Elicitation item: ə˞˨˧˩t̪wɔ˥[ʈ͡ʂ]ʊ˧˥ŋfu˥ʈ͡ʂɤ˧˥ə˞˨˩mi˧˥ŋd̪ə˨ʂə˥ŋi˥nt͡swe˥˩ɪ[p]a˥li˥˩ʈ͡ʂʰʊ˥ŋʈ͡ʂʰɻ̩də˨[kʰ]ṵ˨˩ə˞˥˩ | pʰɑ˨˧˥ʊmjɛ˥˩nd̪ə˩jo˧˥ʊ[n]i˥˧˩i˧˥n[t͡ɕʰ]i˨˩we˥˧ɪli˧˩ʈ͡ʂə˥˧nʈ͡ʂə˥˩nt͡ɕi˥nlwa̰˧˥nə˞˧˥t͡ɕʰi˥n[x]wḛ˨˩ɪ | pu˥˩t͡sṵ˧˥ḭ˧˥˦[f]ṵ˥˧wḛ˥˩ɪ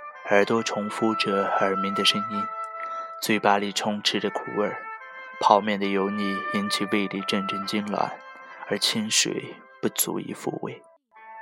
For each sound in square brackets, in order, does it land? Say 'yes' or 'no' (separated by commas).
no, yes, yes, yes, yes, no, yes